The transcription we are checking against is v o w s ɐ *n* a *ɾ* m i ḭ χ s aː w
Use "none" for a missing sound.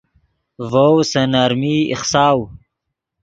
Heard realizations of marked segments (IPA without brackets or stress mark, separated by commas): n, ɾ